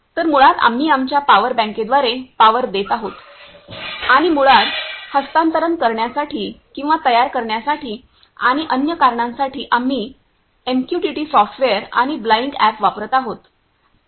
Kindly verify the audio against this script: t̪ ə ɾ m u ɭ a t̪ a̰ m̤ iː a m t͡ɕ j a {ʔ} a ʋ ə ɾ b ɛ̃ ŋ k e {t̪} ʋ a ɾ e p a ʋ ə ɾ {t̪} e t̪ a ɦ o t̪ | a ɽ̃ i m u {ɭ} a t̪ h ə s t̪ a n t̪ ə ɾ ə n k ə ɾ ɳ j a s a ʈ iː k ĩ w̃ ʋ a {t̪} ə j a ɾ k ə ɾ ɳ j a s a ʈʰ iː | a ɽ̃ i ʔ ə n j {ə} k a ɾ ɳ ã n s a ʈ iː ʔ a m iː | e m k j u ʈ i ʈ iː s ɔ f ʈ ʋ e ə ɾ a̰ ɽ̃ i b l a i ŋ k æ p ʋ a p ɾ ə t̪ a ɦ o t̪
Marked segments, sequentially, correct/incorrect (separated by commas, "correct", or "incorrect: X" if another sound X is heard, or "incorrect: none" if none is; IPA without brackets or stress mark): incorrect: p, incorrect: d̪, incorrect: d̪, correct, correct, correct